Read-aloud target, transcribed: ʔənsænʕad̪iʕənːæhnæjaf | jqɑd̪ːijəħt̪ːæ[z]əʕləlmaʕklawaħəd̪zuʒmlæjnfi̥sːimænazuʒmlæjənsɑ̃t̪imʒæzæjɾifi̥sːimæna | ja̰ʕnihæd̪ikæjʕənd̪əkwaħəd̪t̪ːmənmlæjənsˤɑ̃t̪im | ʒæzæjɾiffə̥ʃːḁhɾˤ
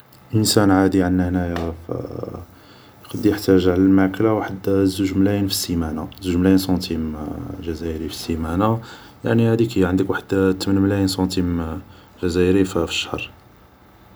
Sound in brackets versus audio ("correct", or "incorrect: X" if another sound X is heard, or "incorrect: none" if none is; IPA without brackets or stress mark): incorrect: ʒ